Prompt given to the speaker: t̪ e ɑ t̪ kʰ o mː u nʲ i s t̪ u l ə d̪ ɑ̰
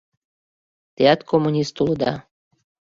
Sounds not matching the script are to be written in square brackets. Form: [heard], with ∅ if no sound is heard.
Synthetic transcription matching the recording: t̪ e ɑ t̪ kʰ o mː u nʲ i s t̪ u l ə d̪ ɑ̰